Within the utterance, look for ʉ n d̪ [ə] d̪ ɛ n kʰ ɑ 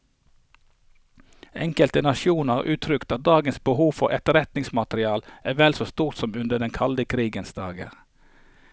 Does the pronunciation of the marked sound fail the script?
no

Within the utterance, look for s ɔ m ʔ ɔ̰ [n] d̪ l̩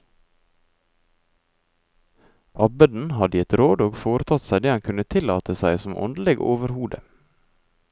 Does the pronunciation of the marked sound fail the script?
no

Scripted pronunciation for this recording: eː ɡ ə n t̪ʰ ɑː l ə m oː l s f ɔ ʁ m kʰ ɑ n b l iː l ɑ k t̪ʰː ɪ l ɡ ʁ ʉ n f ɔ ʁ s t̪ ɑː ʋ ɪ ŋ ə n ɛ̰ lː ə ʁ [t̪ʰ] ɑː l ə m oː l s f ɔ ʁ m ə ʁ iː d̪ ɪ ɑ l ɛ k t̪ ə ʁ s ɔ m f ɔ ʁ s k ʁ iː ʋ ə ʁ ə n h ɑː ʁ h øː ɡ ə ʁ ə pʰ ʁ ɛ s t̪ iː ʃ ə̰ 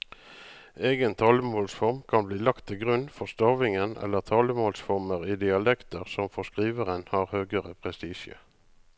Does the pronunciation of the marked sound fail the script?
no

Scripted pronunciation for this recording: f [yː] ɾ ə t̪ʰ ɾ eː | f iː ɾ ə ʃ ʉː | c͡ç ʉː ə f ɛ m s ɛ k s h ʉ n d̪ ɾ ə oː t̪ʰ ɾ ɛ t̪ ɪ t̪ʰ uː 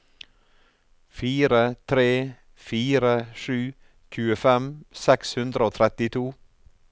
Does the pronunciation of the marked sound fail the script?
yes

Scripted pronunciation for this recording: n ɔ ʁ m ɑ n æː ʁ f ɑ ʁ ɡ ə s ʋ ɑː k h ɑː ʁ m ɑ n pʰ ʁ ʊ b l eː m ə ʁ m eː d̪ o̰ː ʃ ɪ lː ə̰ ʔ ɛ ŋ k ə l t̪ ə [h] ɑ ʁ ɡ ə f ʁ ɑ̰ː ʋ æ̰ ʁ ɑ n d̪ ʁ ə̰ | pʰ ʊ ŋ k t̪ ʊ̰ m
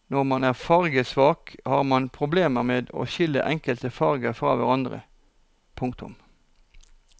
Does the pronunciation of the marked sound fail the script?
yes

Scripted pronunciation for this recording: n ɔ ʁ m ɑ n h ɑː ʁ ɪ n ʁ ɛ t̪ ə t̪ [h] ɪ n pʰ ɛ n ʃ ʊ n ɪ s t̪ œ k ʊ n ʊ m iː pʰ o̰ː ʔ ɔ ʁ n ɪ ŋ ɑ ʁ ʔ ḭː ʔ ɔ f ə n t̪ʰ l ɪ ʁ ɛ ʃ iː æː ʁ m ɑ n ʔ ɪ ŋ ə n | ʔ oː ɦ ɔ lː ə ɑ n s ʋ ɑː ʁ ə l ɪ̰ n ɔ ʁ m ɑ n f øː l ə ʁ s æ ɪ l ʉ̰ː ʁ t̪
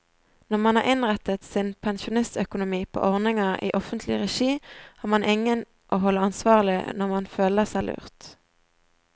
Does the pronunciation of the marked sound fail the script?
yes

